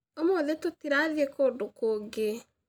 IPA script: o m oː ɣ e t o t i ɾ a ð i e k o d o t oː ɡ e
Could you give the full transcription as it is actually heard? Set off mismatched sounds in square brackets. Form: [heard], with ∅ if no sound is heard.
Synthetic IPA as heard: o m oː [ð] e t o t i ɾ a ð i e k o d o [k] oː ɡ e